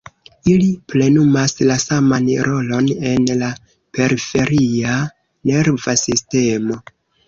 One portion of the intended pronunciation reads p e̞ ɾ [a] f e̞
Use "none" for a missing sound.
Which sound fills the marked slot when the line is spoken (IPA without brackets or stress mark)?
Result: i